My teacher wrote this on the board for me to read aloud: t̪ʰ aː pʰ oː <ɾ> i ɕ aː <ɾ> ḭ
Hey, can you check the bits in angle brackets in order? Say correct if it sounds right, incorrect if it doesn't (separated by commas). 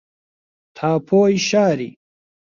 incorrect, correct